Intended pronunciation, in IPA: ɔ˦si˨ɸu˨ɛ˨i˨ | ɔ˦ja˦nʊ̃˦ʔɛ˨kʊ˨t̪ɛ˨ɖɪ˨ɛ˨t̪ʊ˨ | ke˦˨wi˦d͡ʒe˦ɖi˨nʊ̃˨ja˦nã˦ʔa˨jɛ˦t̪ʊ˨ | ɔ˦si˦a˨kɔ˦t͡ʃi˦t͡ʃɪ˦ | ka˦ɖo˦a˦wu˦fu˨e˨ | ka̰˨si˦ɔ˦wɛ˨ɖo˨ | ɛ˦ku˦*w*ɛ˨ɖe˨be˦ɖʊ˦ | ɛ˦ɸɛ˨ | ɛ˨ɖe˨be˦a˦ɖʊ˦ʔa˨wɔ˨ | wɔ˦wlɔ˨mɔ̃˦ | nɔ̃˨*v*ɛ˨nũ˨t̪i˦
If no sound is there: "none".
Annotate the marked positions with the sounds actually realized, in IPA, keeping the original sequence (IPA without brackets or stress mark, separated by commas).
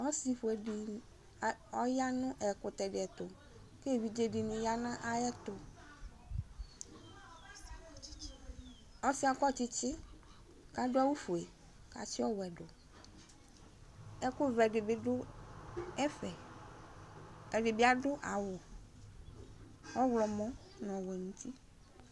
v, w